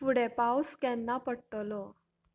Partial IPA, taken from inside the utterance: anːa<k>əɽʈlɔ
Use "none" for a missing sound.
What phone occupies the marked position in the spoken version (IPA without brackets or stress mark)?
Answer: p